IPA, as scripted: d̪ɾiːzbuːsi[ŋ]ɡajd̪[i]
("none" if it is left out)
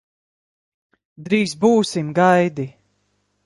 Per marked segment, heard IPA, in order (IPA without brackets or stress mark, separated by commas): m, i